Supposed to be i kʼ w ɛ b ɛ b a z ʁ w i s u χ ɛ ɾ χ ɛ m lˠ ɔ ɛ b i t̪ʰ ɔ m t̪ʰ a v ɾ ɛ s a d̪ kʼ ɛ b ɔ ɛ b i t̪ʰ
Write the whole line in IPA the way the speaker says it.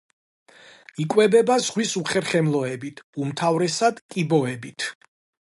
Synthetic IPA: i kʼ w ɛ b ɛ b a z ʁ w i s u χ ɛ ɾ χ ɛ m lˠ ɔ ɛ b i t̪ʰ u m t̪ʰ a v ɾ ɛ s a d̪ kʼ i b ɔ ɛ b i t̪ʰ